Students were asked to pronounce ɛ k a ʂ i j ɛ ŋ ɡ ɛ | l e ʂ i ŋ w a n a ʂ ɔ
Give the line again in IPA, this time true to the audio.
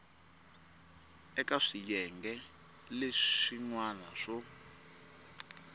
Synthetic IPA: ɛ k a ʂ i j ɛ ŋ ɡ ɛ | l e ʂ i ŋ w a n a ʂ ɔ